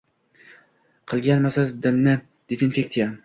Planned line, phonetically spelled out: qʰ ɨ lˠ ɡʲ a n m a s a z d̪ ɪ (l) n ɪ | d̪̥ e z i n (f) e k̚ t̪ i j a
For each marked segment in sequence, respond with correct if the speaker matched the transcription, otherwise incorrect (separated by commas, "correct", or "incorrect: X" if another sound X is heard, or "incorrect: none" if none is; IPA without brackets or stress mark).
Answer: correct, correct